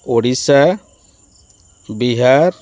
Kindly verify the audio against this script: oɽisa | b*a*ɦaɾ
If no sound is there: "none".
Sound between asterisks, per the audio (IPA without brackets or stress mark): i